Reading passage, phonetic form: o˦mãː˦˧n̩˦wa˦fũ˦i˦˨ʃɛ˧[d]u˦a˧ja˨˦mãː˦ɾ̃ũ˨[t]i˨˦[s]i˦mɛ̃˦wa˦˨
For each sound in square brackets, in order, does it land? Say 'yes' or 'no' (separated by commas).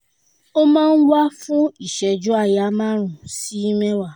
no, no, no